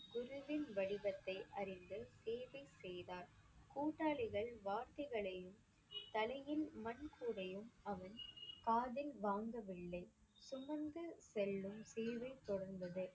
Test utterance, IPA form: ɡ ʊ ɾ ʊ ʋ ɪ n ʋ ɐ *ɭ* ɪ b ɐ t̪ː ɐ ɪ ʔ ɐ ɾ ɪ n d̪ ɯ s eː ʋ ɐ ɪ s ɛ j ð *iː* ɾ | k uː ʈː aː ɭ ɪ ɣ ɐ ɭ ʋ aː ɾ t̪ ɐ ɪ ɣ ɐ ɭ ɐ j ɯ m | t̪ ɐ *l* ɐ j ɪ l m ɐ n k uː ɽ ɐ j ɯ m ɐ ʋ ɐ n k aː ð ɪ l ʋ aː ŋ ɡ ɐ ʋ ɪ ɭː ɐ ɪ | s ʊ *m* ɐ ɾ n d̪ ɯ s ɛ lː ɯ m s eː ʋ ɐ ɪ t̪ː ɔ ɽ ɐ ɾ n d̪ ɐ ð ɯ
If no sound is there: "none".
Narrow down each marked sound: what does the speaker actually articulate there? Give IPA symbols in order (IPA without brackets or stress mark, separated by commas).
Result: ɽ, aː, l, m